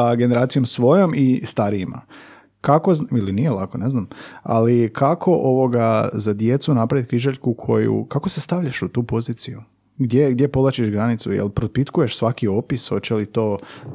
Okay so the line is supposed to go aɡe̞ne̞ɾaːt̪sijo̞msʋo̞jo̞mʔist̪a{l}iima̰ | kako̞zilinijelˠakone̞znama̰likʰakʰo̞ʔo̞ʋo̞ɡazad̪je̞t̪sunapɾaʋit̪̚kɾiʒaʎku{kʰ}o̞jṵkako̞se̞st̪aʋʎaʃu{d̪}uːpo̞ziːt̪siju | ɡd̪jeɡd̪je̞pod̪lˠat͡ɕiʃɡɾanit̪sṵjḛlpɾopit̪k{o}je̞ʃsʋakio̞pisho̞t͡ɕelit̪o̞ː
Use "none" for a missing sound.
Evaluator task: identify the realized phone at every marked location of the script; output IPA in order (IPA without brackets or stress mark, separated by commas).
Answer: ɾ, kʰ, t̪, u